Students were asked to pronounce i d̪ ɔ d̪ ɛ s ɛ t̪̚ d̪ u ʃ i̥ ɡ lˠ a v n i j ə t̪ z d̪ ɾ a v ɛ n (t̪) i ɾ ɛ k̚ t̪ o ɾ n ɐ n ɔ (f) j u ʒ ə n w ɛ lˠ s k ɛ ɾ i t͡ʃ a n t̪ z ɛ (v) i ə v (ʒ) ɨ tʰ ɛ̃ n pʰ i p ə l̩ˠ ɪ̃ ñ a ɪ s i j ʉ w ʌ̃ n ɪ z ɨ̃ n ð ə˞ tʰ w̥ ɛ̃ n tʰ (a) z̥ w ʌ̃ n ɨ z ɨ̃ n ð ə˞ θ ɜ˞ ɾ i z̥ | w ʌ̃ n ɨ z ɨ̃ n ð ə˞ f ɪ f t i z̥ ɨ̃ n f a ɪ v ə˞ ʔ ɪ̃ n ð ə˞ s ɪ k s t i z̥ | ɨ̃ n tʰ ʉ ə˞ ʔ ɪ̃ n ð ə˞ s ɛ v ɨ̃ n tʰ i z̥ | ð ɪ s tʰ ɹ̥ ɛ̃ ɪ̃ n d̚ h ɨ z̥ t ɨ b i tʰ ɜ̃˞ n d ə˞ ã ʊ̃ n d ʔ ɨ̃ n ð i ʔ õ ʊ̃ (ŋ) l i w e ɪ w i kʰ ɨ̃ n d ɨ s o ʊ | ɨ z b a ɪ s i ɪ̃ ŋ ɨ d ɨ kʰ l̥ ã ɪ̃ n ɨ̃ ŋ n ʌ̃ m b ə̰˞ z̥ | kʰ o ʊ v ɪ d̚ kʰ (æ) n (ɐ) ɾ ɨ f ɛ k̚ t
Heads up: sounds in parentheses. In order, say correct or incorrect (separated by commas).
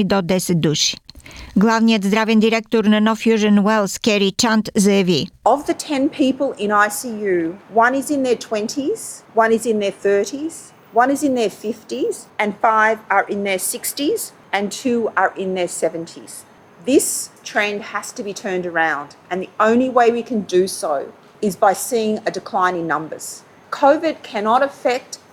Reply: incorrect, correct, correct, incorrect, incorrect, incorrect, correct, incorrect